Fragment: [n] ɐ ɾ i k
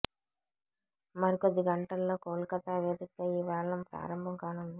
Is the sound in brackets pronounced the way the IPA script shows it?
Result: no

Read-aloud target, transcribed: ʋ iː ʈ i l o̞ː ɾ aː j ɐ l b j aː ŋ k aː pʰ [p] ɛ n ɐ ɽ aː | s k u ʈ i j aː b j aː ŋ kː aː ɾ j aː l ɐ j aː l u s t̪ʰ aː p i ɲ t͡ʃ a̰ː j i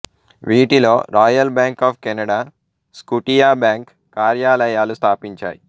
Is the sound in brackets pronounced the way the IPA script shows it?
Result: no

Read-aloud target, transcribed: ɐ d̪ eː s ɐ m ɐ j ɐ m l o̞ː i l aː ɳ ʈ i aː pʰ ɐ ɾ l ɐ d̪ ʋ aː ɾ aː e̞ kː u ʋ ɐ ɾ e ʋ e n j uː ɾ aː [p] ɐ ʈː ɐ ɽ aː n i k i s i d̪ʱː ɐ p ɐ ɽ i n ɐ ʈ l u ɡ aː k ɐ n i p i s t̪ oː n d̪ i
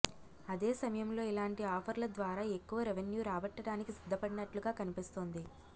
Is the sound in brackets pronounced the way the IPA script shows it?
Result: no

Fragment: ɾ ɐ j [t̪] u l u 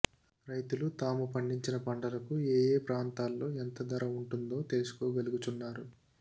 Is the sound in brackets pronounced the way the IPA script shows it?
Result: yes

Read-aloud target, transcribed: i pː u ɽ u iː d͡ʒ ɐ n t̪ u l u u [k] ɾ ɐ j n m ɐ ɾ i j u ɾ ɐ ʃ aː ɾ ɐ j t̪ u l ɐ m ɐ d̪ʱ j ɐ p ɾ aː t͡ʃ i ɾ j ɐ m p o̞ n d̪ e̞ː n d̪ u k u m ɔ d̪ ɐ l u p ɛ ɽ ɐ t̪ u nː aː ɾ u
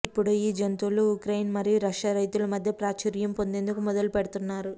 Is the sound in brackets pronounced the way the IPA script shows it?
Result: yes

